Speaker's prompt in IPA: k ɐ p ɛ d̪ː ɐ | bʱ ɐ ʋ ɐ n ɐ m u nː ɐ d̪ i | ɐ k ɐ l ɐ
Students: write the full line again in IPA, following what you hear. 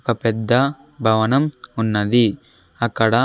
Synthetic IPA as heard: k ɐ p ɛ d̪ː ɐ | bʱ ɐ ʋ ɐ n ɐ m u nː ɐ d̪ i | ɐ k ɐ ɽ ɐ